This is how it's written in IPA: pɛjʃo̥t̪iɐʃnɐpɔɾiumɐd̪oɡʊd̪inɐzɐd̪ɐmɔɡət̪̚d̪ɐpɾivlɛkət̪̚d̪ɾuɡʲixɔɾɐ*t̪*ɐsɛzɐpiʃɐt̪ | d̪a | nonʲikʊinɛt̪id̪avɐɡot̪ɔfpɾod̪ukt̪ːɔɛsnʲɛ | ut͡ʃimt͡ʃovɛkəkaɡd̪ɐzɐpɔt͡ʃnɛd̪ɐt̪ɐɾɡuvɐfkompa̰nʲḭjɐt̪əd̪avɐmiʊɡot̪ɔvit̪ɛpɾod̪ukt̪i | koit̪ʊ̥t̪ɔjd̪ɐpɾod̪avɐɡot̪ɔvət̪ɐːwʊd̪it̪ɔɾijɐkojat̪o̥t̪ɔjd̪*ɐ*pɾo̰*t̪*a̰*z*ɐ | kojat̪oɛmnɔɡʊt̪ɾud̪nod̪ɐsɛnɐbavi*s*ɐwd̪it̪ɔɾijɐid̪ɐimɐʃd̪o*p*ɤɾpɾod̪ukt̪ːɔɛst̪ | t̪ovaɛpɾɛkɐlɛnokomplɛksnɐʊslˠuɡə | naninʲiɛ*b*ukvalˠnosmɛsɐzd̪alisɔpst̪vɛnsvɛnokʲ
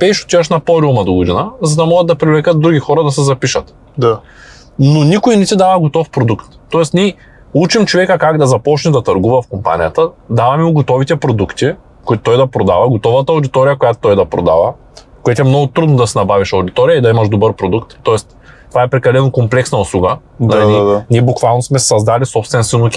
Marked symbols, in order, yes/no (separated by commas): no, yes, no, no, no, no, yes